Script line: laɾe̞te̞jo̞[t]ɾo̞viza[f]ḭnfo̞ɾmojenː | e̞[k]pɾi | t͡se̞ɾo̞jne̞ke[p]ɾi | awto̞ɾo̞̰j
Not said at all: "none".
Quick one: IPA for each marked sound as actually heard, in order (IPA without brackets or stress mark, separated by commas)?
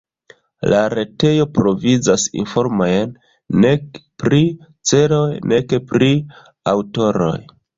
p, s, k, p